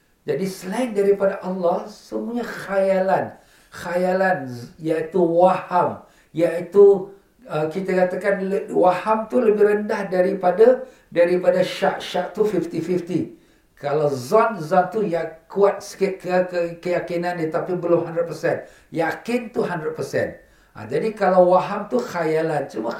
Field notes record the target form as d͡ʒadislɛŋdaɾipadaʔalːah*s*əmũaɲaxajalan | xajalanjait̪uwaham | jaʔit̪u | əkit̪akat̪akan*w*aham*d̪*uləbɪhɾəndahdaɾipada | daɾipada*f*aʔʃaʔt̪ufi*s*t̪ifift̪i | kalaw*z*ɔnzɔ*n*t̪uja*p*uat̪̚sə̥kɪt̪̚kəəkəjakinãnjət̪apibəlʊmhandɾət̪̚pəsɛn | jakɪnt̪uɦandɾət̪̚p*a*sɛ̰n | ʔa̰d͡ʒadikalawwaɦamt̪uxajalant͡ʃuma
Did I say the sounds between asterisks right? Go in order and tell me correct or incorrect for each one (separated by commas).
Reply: correct, correct, incorrect, incorrect, incorrect, correct, correct, incorrect, incorrect